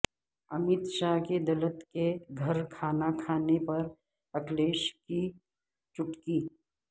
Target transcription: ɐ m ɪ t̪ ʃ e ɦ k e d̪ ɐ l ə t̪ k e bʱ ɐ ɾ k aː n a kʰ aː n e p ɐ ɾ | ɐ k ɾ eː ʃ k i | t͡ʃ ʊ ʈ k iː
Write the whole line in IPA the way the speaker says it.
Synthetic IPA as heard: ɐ m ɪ t̪ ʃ a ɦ k e d̪ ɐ l ə t̪ k e ɡʱ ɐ ɾ kʰ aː n a kʰ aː n e p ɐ ɾ | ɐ k l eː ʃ k i | t͡ʃ ʊ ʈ k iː